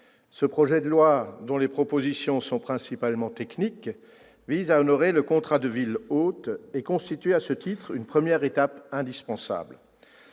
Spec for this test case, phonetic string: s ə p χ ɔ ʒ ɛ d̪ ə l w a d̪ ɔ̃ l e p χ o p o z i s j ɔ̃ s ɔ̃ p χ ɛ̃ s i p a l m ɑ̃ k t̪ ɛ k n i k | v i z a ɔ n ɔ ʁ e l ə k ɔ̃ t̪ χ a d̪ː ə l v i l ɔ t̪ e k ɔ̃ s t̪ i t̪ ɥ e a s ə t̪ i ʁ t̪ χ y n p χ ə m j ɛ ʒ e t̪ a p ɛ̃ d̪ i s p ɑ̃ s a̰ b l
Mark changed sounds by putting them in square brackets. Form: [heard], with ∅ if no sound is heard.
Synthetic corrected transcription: s ə p χ ɔ ʒ ɛ d̪ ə l w a d̪ ɔ̃ l e p χ [ɔ] p o z i s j ɔ̃ s ɔ̃ p χ ɛ̃ s i p a l m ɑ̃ [∅] t̪ ɛ k n i k | v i z a ɔ n ɔ ʁ e l ə k ɔ̃ t̪ χ a [d̪] ə [∅] v i l [o] t̪ e k ɔ̃ s t̪ i t̪ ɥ e a s ə t̪ i [∅] t̪ χ y n p χ ə m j ɛ [ʁ] e t̪ a p ɛ̃ d̪ i s p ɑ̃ s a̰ b l